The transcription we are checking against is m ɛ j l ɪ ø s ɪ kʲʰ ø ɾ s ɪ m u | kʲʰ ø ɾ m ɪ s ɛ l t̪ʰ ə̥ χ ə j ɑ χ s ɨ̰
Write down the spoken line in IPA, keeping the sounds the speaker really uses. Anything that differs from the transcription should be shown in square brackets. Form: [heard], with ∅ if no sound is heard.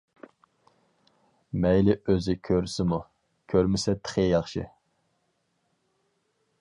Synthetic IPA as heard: m ɛ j l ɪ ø [z] ɪ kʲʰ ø ɾ s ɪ m u | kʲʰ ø ɾ m ɪ s ɛ [∅] t̪ʰ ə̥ χ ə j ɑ χ [ʃ] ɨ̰